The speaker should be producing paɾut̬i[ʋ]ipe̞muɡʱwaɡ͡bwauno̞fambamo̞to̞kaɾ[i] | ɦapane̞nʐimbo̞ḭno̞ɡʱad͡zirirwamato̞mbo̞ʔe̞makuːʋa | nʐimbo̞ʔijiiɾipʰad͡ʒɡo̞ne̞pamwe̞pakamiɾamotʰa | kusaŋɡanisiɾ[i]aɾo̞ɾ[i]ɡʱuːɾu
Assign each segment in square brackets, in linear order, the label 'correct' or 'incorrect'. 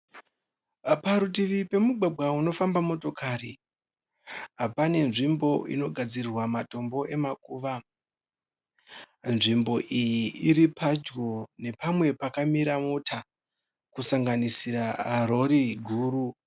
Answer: correct, correct, incorrect, correct

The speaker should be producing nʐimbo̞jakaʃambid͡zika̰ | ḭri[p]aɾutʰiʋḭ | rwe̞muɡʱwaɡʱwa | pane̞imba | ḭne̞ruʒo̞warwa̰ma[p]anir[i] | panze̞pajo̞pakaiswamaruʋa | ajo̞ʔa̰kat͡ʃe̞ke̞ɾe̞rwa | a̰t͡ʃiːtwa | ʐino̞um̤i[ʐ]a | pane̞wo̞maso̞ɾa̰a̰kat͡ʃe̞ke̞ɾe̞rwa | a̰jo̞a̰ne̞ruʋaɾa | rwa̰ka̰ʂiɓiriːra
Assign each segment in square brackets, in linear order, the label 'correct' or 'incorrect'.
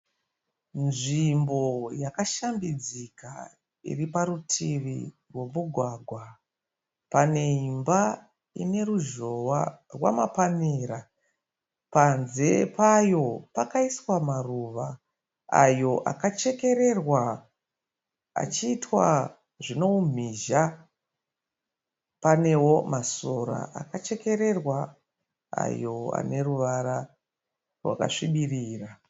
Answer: correct, correct, incorrect, incorrect

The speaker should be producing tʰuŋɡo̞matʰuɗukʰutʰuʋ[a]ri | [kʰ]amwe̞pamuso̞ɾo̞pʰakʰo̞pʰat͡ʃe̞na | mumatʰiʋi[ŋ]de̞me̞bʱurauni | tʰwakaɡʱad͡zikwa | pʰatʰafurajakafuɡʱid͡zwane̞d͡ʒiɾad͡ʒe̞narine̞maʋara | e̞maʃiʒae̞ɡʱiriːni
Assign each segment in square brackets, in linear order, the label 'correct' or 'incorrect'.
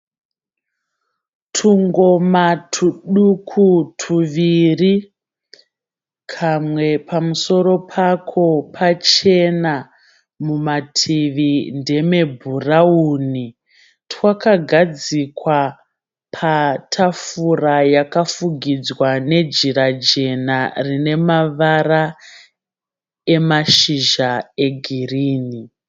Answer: incorrect, correct, incorrect

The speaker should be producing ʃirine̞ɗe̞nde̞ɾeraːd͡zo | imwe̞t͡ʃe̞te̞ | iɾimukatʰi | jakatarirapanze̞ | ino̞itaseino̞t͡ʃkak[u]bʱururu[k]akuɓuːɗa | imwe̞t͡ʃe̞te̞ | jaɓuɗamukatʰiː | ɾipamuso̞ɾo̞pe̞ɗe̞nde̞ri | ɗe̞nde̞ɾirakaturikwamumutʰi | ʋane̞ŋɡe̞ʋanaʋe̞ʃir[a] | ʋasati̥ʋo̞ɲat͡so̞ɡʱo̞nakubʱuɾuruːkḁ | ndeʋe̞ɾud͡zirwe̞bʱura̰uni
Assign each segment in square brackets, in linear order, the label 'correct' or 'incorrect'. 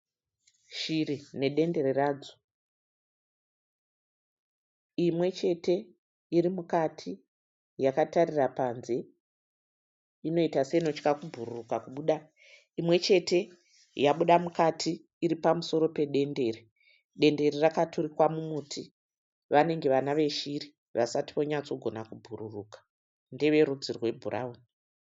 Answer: correct, correct, incorrect

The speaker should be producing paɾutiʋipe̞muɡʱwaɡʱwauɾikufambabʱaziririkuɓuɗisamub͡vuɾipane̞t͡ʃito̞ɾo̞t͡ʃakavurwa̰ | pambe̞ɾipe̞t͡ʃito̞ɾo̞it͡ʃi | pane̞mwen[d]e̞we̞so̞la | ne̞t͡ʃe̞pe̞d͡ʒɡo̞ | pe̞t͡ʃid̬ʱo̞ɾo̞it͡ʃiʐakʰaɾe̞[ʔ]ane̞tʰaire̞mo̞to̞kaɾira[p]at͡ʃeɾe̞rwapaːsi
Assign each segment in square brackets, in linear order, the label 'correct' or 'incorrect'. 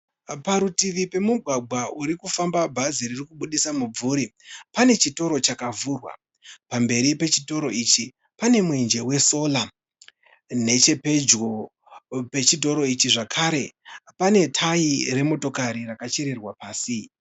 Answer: incorrect, incorrect, incorrect

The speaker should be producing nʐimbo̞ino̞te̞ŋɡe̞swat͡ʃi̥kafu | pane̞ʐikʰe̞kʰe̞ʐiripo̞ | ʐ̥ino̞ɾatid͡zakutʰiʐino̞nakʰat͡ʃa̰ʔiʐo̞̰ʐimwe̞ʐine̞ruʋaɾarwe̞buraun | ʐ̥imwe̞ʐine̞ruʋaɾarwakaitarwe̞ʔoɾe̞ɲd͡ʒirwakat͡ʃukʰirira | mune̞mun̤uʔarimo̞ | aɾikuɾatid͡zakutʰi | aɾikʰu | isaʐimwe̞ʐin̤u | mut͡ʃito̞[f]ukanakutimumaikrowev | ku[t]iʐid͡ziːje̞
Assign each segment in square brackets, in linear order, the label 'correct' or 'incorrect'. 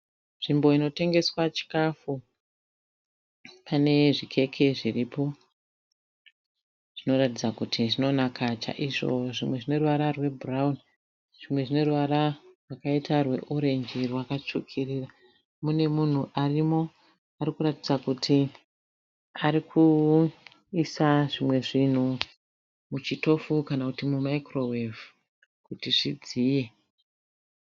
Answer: correct, correct

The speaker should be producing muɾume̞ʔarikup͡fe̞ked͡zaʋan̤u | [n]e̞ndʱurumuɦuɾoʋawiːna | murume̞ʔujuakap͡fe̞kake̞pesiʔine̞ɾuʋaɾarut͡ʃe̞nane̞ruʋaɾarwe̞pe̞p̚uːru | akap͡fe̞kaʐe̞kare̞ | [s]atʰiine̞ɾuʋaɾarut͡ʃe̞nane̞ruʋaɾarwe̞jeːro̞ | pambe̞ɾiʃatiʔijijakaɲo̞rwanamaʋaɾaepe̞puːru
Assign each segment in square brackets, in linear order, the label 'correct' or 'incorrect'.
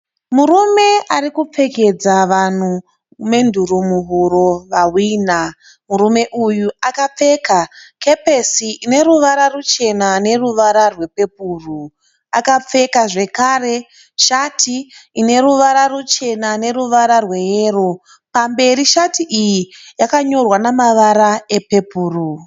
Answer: incorrect, incorrect

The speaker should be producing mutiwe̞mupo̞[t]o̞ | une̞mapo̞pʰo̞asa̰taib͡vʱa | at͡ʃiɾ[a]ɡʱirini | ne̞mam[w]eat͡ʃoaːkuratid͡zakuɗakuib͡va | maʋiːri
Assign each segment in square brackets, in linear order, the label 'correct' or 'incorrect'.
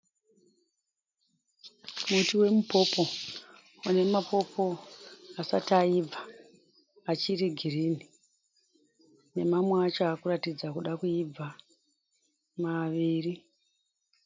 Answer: incorrect, incorrect, correct

